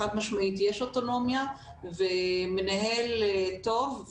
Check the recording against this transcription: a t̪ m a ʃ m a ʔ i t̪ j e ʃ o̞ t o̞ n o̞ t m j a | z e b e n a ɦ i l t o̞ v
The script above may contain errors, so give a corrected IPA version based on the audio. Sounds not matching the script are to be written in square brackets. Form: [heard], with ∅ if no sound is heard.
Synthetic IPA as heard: a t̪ m a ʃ m a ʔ i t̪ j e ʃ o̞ t o̞ n o̞ [∅] m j a | [v] e [m] e n a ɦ [e] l t o̞ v